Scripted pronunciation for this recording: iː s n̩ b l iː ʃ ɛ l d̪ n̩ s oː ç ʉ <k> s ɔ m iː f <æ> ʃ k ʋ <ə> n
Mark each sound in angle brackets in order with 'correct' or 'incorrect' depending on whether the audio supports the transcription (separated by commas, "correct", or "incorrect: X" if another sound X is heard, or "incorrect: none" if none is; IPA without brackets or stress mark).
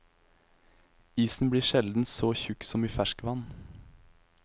correct, correct, incorrect: ɑ